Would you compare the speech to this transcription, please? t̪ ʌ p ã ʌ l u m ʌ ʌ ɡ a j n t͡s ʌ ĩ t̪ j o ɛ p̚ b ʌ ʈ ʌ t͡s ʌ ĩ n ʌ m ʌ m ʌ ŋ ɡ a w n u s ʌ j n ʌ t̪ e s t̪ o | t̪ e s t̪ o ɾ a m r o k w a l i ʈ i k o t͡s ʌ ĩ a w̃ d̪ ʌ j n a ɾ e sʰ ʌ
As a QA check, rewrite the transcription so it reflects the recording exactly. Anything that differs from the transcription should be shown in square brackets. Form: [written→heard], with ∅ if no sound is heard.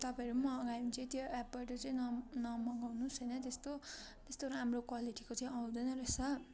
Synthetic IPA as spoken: t̪ ʌ p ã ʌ [l→ɾ] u m ʌ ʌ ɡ a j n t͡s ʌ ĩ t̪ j o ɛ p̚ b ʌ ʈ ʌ t͡s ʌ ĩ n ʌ [m→n] ʌ m ʌ ŋ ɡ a w n u s ʌ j n ʌ t̪ e s t̪ o | t̪ e s t̪ o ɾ a m r o k w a l i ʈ i k o t͡s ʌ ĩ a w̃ d̪ ʌ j n [a→ʌ] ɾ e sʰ ʌ